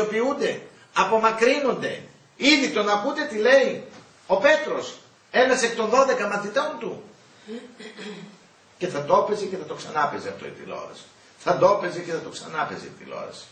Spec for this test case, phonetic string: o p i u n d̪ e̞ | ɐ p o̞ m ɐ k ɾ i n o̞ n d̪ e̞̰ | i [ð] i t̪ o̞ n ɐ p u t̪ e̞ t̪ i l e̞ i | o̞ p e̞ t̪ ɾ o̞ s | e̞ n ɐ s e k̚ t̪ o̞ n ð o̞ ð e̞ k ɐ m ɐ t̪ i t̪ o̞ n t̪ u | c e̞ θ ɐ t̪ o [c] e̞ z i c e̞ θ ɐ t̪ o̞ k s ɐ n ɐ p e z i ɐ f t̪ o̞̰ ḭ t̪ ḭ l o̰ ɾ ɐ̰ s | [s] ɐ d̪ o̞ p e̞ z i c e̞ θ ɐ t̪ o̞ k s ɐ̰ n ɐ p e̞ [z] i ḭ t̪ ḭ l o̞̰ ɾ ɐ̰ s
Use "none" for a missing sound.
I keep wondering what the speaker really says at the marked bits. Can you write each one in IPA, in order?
ð, p, θ, z

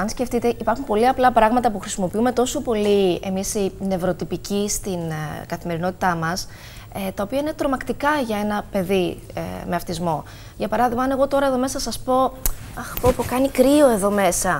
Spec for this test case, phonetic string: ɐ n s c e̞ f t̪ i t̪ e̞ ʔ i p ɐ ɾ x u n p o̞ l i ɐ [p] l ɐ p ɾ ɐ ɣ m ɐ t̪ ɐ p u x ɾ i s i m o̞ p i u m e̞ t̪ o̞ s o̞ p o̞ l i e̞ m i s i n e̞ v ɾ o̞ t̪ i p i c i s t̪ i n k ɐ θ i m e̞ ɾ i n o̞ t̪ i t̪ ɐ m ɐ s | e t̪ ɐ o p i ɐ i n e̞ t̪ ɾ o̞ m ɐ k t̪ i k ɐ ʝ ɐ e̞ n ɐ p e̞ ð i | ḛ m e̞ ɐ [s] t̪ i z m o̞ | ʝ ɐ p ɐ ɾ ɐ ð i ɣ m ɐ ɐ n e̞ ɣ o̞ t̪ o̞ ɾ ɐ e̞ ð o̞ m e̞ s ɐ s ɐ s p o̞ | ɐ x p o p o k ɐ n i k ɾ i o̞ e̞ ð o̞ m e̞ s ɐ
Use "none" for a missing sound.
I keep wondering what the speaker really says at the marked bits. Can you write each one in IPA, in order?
p, f

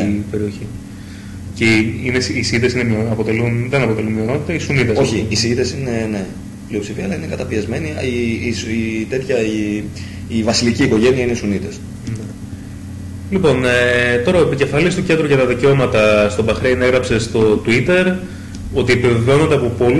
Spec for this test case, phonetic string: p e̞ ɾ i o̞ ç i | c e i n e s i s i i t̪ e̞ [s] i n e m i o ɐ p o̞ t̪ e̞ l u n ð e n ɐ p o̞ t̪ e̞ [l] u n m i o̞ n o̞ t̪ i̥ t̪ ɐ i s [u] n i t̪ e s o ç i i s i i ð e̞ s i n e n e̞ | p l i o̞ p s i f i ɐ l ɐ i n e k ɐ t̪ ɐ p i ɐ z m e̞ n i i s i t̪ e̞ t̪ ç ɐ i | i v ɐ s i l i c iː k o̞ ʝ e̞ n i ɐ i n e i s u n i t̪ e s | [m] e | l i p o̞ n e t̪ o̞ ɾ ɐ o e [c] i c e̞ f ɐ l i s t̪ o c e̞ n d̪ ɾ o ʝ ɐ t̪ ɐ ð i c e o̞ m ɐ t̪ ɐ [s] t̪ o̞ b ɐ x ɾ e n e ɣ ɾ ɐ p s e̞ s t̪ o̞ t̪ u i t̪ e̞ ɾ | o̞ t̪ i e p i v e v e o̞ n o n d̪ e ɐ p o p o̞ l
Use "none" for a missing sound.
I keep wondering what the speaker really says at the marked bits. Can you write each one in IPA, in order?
s, l, u, n, p, s

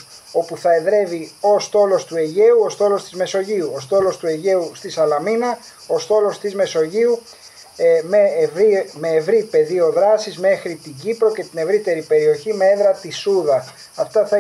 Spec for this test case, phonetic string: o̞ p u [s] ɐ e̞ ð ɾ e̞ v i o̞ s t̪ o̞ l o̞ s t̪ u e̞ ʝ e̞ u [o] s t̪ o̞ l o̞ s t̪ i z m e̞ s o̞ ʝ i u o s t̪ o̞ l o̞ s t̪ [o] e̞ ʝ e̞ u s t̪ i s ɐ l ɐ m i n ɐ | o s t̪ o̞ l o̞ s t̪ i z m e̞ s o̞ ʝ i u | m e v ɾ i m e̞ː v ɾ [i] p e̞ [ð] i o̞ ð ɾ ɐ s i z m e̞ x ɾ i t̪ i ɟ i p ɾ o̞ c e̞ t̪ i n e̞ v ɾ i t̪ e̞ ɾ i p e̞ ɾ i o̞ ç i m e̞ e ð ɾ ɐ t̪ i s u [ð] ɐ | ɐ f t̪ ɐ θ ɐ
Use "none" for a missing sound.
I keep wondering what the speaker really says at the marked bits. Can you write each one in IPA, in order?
θ, o, u, i, ð, ð

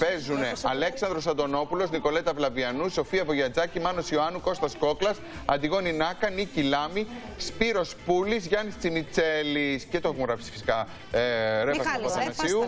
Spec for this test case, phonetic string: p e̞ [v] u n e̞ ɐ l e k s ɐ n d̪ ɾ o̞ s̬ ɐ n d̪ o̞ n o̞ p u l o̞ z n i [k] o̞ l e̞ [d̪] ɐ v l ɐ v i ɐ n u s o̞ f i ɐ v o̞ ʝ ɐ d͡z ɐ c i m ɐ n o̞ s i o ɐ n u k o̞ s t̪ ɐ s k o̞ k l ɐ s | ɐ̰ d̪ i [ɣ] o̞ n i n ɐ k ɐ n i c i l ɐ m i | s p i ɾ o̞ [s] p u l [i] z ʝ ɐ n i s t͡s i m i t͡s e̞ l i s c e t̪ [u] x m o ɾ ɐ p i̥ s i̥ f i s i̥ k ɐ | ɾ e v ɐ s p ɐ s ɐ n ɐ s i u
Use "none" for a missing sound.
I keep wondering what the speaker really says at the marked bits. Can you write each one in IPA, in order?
z, k, t̪, ɣ, s, i, o

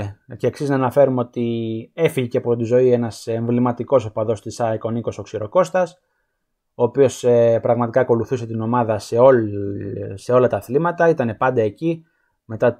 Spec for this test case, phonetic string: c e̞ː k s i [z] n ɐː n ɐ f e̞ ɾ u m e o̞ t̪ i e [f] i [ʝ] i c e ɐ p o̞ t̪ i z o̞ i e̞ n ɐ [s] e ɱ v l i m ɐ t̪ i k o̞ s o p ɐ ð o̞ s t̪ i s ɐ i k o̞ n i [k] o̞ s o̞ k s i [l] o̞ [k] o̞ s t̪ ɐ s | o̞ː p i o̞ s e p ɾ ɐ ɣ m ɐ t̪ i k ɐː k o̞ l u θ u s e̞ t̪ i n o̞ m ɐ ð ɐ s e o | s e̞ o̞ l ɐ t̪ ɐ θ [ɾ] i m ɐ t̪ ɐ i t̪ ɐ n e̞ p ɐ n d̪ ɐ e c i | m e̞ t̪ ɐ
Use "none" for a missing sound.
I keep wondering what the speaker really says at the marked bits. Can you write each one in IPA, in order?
z, f, ʝ, s, k, ɾ, k, l

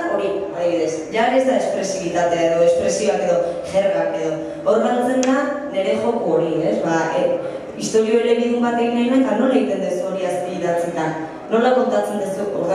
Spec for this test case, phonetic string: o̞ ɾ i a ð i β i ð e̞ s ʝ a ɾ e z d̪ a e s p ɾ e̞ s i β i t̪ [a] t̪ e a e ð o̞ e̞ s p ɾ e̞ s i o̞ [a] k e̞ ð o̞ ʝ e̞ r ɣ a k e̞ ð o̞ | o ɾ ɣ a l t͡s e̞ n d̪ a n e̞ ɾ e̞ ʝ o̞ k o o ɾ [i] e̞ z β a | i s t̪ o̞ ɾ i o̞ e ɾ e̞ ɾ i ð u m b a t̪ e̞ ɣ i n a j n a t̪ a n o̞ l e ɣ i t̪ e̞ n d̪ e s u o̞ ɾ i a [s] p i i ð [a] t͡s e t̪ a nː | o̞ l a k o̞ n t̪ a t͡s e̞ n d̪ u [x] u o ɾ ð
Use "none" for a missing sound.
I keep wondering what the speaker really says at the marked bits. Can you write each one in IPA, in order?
a, a, i, s, a, s

